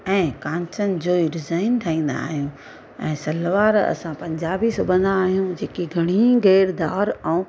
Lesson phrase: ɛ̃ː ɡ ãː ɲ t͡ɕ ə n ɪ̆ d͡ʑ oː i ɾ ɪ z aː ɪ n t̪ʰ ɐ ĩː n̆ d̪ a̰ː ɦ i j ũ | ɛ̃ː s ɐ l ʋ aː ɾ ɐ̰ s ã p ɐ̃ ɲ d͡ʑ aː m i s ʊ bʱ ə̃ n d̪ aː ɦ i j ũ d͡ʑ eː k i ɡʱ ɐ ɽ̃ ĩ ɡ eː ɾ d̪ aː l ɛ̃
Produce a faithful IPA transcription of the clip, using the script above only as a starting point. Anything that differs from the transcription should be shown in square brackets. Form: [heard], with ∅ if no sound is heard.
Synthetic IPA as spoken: ɛ̃ː [k] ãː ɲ t͡ɕ ə n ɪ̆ d͡ʑ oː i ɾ ɪ z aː ɪ n t̪ʰ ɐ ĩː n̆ d̪ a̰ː ɦ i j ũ | ɛ̃ː s ɐ l ʋ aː ɾ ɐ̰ s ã p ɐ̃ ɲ d͡ʑ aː [b] i s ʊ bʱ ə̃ n d̪ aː ɦ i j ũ d͡ʑ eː k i ɡʱ ɐ ɽ̃ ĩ ɡ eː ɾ d̪ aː [ɾ] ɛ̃